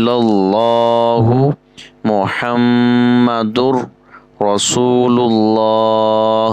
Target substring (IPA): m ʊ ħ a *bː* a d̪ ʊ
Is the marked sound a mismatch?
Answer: yes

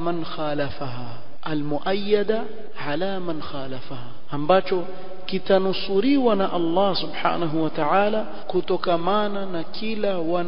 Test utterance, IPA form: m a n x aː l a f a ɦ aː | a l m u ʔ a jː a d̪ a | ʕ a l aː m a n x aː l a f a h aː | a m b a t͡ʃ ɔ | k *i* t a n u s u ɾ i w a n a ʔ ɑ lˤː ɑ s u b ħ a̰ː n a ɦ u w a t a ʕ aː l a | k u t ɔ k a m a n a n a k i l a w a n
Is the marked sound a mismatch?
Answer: no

